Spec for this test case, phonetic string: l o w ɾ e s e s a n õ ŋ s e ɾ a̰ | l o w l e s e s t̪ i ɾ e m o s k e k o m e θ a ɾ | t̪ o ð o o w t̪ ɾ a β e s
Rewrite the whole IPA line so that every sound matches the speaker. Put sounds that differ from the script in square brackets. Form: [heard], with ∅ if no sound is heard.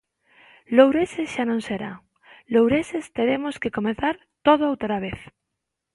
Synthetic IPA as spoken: l o w ɾ e s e [ʃ] a n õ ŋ s e ɾ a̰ | l o w [ɾ] e s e s t̪ [e] ɾ e m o s k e k o m e θ a ɾ | t̪ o ð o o w t̪ ɾ a β e [θ]